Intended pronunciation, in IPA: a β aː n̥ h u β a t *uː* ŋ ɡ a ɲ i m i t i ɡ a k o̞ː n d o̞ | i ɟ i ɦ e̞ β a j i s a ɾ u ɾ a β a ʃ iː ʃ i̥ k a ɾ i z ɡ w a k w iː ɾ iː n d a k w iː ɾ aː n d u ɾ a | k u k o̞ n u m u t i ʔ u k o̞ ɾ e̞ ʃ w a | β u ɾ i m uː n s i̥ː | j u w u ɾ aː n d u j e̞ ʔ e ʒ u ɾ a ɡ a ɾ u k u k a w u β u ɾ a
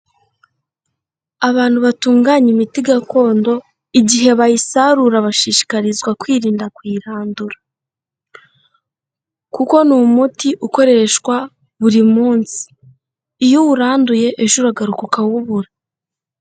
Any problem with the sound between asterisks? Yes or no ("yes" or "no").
no